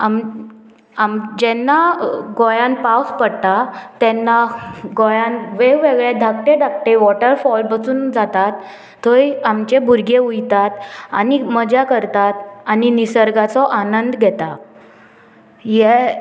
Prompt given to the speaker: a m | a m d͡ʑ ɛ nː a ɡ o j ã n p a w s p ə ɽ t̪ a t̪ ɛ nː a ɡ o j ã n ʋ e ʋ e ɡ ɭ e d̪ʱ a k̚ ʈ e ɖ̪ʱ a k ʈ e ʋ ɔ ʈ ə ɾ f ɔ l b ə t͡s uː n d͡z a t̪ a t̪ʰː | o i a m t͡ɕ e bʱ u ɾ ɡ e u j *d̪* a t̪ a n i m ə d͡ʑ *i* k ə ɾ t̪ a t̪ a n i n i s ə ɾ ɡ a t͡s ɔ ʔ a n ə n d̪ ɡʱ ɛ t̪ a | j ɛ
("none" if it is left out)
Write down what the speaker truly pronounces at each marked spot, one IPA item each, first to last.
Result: t̪, a

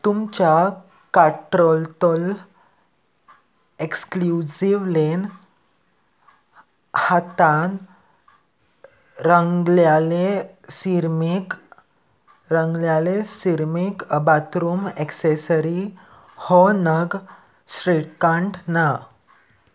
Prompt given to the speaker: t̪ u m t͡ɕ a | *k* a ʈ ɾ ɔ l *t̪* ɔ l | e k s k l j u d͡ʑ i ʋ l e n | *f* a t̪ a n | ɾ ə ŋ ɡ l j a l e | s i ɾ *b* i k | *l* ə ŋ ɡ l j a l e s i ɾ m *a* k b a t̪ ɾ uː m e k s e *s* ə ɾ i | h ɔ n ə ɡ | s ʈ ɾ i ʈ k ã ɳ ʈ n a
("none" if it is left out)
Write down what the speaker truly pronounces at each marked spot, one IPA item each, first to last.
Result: k, t̪, h, m, ɾ, i, s

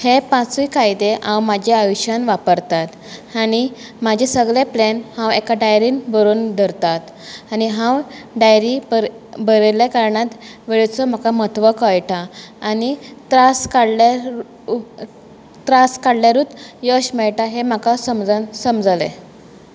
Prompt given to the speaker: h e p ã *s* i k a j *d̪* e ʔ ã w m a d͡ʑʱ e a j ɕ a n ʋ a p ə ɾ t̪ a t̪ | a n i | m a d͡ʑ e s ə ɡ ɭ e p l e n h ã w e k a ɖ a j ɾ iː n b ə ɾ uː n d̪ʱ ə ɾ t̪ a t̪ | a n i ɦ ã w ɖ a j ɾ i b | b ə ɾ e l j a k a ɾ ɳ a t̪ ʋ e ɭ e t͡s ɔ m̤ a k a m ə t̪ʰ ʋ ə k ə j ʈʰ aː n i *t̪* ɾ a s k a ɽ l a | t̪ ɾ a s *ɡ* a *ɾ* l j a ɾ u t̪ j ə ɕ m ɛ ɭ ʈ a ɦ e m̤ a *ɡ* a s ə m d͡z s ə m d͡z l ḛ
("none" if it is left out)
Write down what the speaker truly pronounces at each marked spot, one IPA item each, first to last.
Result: t͡s, d̪, t̪, k, ɽ, k

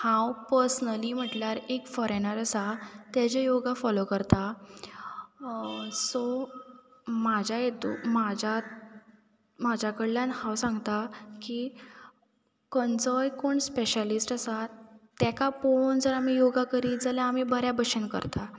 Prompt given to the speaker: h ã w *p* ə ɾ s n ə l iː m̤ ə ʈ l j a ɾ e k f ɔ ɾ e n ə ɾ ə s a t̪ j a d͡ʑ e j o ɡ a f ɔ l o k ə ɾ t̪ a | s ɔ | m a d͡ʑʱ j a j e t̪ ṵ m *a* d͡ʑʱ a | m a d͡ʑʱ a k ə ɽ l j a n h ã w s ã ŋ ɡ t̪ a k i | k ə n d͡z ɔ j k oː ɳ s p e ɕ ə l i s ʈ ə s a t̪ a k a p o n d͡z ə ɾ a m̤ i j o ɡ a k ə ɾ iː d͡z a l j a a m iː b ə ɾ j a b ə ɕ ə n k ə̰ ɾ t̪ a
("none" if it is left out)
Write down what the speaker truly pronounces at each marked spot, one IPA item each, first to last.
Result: p, a

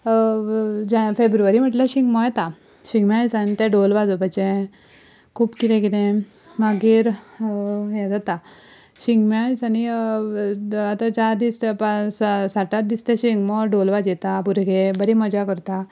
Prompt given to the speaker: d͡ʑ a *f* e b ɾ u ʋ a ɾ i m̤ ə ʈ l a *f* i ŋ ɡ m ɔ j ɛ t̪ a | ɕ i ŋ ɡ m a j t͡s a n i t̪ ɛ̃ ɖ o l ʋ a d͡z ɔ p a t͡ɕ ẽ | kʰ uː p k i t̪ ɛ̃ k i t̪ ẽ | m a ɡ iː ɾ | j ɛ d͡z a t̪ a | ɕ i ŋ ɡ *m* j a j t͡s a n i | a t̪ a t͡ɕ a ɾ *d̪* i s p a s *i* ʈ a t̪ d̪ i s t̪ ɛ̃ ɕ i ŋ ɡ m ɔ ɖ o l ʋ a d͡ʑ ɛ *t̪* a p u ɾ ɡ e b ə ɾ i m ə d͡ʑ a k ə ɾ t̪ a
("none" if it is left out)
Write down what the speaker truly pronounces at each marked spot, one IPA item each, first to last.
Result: f, ɕ, m, d̪, a, t̪

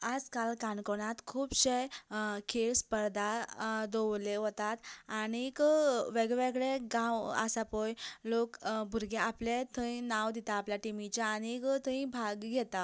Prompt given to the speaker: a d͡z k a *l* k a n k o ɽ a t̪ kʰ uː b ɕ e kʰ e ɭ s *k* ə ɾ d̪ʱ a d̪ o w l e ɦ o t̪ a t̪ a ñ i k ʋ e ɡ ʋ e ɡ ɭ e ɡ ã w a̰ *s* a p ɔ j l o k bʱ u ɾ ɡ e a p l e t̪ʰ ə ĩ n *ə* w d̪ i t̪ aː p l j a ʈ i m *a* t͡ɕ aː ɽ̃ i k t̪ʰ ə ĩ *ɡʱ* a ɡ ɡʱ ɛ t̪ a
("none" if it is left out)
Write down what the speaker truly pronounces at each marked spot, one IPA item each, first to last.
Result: l, p, s, a, i, bʱ

